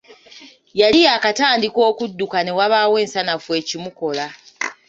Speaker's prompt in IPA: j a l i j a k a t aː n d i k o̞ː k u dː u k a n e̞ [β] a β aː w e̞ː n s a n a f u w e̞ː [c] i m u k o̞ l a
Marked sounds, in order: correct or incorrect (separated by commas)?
incorrect, correct